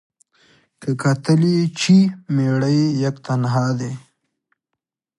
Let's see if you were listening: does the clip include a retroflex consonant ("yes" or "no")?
yes